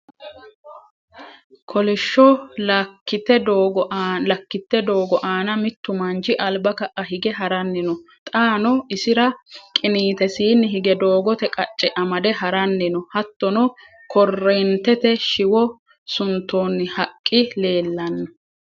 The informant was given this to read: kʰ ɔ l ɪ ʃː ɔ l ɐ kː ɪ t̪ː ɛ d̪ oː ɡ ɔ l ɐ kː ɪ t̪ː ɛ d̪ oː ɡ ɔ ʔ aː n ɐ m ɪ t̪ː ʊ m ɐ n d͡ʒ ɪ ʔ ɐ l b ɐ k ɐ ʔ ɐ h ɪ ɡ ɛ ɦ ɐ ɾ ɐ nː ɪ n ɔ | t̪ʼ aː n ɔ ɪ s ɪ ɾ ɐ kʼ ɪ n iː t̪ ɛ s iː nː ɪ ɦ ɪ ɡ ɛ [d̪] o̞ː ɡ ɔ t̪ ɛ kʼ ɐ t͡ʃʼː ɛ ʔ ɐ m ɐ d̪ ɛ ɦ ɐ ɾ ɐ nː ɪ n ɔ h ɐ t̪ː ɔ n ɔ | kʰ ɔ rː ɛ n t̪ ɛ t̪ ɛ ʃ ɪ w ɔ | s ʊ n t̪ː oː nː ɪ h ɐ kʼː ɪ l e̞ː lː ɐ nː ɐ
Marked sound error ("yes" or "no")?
no